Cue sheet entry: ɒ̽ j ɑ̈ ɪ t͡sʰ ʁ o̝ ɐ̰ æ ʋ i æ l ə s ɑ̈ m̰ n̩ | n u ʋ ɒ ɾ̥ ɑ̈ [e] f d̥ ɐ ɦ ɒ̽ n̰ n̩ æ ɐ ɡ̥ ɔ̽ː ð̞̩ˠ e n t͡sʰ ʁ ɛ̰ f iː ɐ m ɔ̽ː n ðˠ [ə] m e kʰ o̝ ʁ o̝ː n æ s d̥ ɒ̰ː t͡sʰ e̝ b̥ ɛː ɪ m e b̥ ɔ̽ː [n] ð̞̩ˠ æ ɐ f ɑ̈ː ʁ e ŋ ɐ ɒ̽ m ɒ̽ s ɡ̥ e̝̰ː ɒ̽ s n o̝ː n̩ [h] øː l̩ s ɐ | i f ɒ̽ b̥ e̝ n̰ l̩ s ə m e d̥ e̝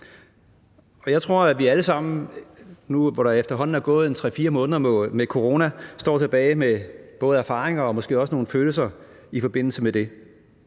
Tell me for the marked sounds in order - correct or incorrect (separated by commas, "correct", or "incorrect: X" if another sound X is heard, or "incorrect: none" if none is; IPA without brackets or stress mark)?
correct, incorrect: ɐ, incorrect: none, incorrect: f